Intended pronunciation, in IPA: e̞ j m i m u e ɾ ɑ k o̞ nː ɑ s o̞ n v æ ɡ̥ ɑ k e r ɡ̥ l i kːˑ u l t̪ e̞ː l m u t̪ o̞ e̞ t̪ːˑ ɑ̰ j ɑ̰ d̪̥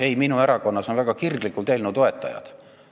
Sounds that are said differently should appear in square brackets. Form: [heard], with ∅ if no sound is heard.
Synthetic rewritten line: e̞ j m i [n] u e ɾ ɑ k o̞ nː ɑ s o̞ n v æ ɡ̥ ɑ k [i] r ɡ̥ l i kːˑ u l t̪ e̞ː l [n] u t̪ o̞ e̞ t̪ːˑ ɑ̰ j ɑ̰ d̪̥